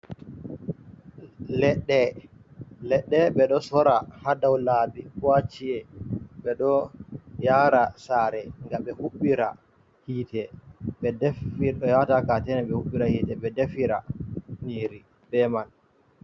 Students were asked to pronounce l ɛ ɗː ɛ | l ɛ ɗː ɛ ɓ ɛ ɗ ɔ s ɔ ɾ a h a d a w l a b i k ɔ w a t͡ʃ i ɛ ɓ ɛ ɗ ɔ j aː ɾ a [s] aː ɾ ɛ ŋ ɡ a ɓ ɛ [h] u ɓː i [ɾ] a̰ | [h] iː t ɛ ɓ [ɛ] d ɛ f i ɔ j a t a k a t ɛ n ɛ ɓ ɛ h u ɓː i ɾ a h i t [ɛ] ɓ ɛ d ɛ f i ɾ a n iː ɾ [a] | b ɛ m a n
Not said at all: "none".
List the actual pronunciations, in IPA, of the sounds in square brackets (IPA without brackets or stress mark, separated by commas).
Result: s, h, ɾ, h, ɛ, ɛ, i